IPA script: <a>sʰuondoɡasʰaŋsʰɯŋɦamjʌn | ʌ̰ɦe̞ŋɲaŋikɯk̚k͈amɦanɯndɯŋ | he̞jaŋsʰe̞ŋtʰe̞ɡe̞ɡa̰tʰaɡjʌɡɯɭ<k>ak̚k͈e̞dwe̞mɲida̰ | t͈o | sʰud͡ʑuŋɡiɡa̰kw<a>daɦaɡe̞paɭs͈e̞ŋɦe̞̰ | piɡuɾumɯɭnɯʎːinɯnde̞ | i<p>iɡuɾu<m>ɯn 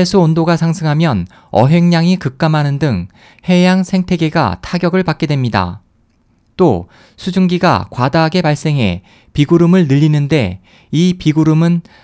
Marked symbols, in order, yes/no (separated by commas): no, no, yes, yes, yes